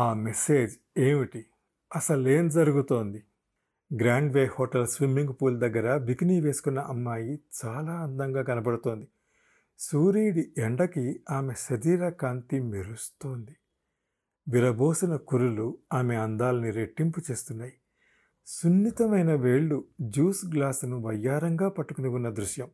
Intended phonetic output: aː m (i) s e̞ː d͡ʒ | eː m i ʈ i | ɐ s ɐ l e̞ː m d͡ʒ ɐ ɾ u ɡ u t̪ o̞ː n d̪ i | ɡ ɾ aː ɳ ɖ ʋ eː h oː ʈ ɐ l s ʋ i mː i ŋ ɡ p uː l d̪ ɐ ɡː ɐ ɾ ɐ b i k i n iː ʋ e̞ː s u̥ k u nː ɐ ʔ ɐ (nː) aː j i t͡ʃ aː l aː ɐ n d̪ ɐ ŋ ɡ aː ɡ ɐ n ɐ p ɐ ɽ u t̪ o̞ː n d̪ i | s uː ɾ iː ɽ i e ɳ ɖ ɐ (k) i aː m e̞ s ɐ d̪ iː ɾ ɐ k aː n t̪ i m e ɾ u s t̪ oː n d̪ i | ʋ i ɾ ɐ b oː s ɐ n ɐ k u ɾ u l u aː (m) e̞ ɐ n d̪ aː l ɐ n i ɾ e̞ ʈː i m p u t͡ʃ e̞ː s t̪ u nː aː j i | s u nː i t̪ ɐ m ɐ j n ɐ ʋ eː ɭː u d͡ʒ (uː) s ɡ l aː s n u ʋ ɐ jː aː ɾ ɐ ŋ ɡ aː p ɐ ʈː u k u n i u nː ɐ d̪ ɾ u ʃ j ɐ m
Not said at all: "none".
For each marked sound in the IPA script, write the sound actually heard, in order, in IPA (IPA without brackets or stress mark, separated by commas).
e, mː, k, m, uː